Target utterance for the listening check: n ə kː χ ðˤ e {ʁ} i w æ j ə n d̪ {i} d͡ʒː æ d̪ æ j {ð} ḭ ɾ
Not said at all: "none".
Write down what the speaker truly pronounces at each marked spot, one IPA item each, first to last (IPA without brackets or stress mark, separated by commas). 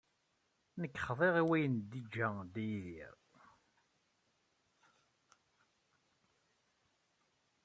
ʁ, i, ð